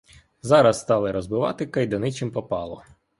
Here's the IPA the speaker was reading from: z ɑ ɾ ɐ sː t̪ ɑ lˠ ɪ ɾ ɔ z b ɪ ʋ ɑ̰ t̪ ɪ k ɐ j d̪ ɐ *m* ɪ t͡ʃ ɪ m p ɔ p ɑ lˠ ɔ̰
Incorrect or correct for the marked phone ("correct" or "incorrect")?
incorrect